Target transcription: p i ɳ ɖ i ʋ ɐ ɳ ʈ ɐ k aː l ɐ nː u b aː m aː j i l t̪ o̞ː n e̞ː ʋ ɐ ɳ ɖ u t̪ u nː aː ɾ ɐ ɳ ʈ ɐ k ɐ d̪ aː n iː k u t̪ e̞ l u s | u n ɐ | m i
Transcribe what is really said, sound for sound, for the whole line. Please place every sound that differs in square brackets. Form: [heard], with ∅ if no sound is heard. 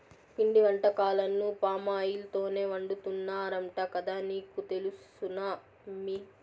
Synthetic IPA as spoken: p i ɳ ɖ i ʋ ɐ ɳ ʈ ɐ k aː l ɐ nː u [p] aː m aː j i l t̪ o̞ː n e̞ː ʋ ɐ ɳ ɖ u t̪ u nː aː ɾ ɐ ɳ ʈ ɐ k ɐ d̪ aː n iː k u t̪ e̞ l u s | u n ɐ | m i